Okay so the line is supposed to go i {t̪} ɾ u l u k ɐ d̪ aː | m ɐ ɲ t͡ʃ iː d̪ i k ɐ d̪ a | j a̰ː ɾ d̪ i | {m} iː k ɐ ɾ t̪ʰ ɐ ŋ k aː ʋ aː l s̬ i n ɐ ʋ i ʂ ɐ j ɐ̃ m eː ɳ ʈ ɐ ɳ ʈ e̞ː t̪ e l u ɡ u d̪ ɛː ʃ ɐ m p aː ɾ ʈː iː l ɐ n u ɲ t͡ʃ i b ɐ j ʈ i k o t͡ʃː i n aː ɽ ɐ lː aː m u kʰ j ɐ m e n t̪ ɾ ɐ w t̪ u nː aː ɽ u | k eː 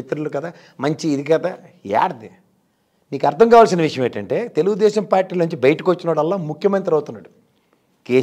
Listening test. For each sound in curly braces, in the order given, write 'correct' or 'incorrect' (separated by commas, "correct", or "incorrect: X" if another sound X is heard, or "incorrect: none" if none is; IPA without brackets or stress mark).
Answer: correct, incorrect: n